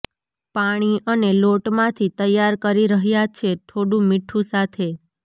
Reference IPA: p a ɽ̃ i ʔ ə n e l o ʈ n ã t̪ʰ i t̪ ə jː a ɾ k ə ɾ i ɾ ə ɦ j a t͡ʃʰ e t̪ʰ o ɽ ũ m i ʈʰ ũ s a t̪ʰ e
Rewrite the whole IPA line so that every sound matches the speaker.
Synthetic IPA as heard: p a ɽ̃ i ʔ ə n e l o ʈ m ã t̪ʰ i t̪ ə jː a ɾ k ə ɾ i ɾ ə ɦ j a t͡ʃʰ e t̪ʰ o ɽ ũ m i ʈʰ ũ s a t̪ʰ e